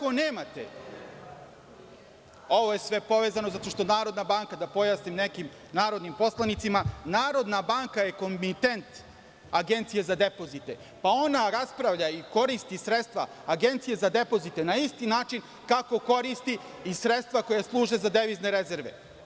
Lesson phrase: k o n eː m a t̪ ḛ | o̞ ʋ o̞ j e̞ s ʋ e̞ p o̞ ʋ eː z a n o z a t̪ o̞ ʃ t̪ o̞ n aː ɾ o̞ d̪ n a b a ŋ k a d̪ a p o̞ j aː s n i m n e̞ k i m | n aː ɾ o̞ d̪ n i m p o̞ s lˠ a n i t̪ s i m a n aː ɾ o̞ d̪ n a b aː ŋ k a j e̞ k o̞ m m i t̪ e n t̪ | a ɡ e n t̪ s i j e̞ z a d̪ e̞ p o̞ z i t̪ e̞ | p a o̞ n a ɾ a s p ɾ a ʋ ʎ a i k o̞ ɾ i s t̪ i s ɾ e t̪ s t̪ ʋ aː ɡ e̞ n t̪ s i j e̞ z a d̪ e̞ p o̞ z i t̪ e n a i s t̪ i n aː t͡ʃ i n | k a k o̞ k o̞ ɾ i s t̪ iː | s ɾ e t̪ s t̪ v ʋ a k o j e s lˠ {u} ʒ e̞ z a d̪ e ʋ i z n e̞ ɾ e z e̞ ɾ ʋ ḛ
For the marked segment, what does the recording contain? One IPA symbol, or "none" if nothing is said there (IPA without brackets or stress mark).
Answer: uː